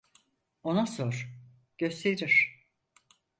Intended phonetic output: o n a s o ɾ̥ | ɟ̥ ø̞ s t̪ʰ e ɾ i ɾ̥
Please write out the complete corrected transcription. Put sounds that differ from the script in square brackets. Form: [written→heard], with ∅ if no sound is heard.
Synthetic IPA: o n a s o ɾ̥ | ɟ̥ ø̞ s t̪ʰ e ɾ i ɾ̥